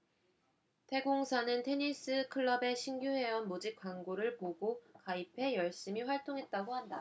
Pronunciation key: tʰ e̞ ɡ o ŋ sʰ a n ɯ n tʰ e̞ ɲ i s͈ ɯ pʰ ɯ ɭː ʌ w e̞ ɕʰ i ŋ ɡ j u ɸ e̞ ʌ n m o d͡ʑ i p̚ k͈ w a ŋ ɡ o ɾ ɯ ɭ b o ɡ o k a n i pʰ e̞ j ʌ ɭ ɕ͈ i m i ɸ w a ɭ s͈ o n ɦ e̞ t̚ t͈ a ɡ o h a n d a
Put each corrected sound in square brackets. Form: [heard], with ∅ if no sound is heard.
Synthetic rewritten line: tʰ e̞ ɡ o ŋ sʰ a n ɯ n tʰ e̞ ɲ i s͈ ɯ [kʰ] ɯ ɭː ʌ [b] e̞ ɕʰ i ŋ ɡ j u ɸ e̞ ʌ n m o d͡ʑ i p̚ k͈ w a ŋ ɡ o ɾ ɯ ɭ [p] o ɡ o k a [∅] i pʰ e̞ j ʌ ɭ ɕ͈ i m i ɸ w a ɭ [t͈] o [ŋ] ɦ e̞ t̚ t͈ a ɡ o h a n d a